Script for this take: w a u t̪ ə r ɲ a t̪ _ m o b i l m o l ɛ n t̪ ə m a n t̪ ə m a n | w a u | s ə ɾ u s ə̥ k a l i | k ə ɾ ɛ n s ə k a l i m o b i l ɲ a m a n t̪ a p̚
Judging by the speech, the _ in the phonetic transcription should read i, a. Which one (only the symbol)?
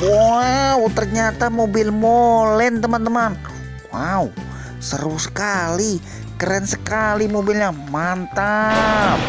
a